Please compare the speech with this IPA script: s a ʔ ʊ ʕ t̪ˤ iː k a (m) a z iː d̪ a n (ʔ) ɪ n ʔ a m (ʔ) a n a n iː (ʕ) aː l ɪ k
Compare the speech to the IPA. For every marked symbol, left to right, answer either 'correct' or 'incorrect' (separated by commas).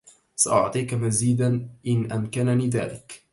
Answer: correct, correct, incorrect, incorrect